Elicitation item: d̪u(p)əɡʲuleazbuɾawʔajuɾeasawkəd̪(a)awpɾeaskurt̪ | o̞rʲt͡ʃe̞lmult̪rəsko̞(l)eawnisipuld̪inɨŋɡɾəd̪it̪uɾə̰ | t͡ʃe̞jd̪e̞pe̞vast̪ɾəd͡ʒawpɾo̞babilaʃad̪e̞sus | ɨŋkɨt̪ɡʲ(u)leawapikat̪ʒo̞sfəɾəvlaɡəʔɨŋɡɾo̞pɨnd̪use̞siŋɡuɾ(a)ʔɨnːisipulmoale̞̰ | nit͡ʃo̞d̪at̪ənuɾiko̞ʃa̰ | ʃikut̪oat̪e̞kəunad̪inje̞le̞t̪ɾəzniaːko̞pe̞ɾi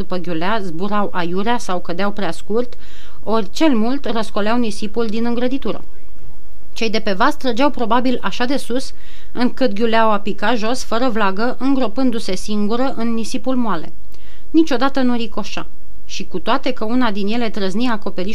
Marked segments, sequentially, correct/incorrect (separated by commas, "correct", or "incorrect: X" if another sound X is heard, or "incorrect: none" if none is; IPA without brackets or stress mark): correct, incorrect: e, correct, correct, incorrect: ə